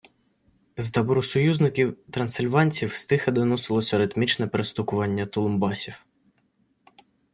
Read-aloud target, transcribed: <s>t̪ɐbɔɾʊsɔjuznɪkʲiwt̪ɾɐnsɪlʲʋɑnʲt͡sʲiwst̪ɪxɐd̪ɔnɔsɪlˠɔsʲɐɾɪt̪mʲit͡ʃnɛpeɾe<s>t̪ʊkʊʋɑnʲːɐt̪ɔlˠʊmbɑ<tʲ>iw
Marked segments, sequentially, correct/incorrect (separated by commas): incorrect, correct, incorrect